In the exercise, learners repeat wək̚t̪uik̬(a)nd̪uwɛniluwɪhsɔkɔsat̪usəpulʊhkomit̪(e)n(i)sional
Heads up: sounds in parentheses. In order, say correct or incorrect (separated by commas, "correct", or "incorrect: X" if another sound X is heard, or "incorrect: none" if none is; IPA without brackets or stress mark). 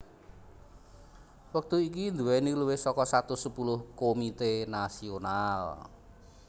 incorrect: i, correct, incorrect: a